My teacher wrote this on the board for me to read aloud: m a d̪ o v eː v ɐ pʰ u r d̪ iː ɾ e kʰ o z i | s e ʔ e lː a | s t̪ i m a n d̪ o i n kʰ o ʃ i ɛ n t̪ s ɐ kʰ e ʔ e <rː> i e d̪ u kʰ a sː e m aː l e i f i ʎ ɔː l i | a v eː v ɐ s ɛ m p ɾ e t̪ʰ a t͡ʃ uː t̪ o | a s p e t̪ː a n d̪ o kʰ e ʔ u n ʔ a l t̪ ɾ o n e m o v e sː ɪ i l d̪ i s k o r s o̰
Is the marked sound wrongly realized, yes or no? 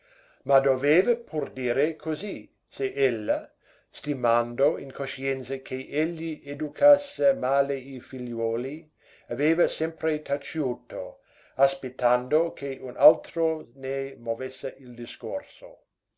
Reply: yes